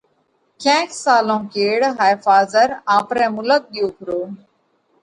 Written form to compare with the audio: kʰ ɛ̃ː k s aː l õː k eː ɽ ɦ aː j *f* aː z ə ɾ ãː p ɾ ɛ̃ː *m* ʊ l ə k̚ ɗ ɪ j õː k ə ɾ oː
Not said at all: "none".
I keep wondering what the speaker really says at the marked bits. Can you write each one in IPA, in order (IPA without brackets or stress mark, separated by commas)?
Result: f, m